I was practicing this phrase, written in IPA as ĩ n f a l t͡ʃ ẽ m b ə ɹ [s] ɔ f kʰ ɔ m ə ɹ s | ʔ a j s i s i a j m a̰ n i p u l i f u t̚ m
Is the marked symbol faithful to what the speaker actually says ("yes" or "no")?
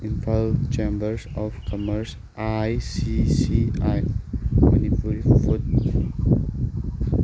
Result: yes